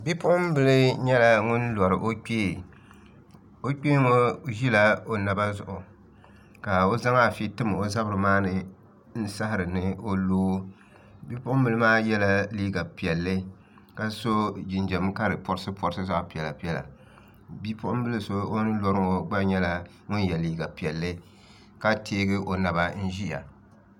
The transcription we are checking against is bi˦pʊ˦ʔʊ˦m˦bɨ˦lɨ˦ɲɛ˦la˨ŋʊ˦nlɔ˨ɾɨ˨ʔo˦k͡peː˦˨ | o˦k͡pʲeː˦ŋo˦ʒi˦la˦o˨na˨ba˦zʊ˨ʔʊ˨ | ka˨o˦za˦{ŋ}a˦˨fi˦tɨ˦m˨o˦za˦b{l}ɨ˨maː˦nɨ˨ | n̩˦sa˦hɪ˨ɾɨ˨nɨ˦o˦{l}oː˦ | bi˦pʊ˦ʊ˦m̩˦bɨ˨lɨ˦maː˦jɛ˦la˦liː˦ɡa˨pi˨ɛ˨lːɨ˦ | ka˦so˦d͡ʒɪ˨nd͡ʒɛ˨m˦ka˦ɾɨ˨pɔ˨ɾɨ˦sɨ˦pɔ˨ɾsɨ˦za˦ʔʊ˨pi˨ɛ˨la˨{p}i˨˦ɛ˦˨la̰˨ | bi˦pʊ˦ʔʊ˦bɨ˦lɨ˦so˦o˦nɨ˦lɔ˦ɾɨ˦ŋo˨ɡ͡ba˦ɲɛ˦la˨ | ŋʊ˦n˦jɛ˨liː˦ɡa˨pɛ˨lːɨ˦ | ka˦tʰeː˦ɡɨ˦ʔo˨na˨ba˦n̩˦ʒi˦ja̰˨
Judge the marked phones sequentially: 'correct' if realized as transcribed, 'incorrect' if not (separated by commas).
correct, incorrect, correct, correct